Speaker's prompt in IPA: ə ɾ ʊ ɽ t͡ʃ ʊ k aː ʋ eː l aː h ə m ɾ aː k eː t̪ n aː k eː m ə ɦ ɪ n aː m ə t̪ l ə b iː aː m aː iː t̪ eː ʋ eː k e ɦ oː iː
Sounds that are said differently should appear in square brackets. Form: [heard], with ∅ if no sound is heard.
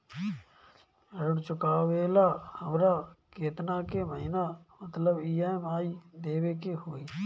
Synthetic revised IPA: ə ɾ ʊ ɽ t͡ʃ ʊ k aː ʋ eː l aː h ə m ɾ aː k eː t̪ n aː k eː m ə ɦ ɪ n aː m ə t̪ l ə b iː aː m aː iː [d̪] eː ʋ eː k e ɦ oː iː